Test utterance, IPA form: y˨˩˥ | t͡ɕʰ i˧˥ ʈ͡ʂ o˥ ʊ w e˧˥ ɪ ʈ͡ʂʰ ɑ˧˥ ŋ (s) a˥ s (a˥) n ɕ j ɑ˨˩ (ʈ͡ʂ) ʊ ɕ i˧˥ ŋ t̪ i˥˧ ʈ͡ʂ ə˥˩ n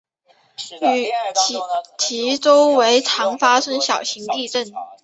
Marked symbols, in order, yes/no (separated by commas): no, no, no